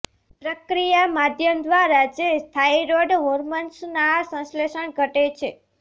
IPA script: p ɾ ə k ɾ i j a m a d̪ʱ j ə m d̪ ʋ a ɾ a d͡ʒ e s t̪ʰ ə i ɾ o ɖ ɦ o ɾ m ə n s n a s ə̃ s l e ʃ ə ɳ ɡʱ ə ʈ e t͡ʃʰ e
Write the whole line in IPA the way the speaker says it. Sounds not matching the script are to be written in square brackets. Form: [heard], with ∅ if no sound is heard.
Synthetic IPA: p ɾ ə k ɾ i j a m a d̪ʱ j ə m d̪ ʋ a ɾ a d͡ʒ e s t̪ʰ [a] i ɾ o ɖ ɦ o ɾ m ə n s n a s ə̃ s l e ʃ ə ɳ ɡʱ ə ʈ e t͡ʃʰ e